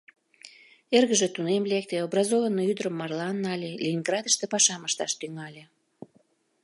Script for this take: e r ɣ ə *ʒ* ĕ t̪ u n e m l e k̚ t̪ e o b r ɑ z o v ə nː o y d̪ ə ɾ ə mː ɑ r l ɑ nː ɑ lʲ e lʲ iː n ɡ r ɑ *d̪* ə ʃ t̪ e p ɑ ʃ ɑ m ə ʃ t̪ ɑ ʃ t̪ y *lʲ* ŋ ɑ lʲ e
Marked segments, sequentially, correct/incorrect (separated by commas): correct, correct, incorrect